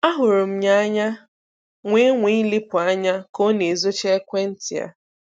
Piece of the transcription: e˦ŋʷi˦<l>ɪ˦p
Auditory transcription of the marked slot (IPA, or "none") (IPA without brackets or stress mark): l